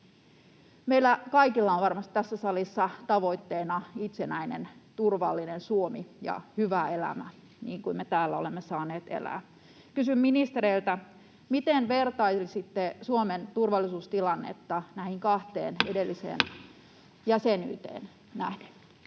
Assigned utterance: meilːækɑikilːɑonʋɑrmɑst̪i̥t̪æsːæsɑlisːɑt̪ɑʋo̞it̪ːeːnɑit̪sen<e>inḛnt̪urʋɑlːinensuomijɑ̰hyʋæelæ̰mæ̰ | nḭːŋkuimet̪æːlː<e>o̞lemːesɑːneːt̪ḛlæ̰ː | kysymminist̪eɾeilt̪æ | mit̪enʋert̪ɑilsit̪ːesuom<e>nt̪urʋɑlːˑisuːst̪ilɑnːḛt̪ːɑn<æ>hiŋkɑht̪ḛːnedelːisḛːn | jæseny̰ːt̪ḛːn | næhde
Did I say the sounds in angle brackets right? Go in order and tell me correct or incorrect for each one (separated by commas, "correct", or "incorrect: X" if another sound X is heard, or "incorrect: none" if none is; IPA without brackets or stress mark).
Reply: incorrect: æ, incorrect: æ, correct, correct